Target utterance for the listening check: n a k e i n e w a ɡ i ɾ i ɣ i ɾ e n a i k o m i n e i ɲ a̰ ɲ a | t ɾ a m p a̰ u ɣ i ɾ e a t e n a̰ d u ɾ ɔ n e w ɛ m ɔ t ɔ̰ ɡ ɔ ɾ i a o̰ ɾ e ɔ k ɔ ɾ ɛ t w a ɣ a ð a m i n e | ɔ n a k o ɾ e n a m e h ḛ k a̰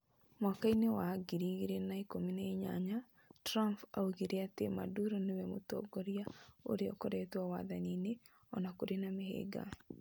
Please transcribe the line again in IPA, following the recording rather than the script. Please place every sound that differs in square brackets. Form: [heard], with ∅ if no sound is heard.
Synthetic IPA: [m] a k [a] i n e w a ɡ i ɾ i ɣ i ɾ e n a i k o m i n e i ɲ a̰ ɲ a | t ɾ a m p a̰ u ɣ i ɾ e a t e [m] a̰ d u ɾ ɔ n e w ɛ m [o] t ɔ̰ ɡ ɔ ɾ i a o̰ ɾ e ɔ k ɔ ɾ ɛ t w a [w] a ð a [n] i n e | ɔ n a k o ɾ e n a m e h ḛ [ɡ] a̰

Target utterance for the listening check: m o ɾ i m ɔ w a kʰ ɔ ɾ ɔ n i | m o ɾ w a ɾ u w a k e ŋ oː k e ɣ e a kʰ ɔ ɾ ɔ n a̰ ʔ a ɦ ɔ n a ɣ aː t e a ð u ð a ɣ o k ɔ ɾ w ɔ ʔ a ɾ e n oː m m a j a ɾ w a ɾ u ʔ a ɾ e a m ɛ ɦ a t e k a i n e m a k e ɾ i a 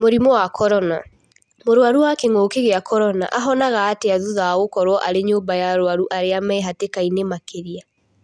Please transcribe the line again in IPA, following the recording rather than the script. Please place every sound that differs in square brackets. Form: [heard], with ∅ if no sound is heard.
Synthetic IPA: m o ɾ i m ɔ w a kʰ ɔ ɾ ɔ n [a] | m o ɾ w a ɾ u w a k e ŋ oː k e ɣ e a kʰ ɔ ɾ ɔ n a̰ ʔ a ɦ ɔ n a ɣ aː t e a ð u ð a ɣ o k ɔ ɾ w ɔ ʔ a ɾ e [ɲ] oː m [b] a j a ɾ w a ɾ u ʔ a ɾ e a m ɛ ɦ a t e k a i n e m a k e ɾ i a

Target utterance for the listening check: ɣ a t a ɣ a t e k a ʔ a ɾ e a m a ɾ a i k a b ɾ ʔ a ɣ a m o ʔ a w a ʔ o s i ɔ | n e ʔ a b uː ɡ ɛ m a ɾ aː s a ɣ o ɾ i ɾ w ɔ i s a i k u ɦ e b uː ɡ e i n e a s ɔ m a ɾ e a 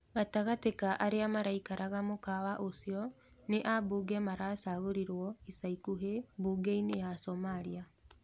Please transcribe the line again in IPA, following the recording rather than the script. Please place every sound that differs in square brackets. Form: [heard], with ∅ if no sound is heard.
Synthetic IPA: ɣ a t a ɣ a t e k a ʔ a ɾ e a m a ɾ a i k a [∅] ɾ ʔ a ɣ a m o [k] a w a ʔ o s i ɔ | n e ʔ a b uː ɡ ɛ m a ɾ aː s a ɣ o ɾ i ɾ w ɔ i s a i k u ɦ e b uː ɡ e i n e a s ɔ m a ɾ [i] a

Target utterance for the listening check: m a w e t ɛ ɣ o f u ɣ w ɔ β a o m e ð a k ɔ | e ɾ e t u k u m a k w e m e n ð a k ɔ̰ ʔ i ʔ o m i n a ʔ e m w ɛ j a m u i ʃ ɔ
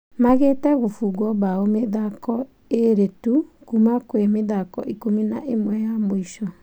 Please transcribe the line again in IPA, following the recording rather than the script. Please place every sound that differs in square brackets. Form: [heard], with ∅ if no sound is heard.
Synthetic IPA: m a [ɣ] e t ɛ ɣ o f u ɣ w ɔ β a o m e ð a k ɔ | e ɾ e t u k u m a k w e m e [∅] ð a k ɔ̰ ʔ i [k] o m i n a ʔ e m w ɛ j a m [o] i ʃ ɔ

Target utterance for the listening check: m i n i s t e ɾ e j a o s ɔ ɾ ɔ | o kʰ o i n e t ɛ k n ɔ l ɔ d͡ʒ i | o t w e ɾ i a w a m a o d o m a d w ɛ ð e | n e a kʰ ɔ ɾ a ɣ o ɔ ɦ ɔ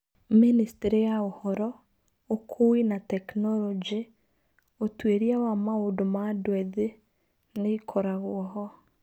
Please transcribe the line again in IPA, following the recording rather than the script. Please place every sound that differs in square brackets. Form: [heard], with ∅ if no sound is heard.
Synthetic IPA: m i n i s t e ɾ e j a o [h] ɔ ɾ ɔ | o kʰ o i n [a] t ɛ k n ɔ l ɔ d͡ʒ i | o t w e ɾ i a w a m a o d o m a d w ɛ ð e | n e [i] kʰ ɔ ɾ a ɣ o ɔ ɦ ɔ

